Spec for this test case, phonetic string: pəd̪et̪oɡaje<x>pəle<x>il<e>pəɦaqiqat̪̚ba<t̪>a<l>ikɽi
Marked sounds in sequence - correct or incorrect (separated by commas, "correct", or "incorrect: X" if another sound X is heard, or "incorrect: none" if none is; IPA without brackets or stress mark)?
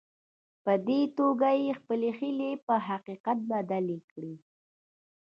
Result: correct, correct, correct, incorrect: d̪, correct